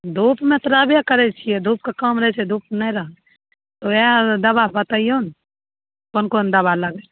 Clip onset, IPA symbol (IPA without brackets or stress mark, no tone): d̪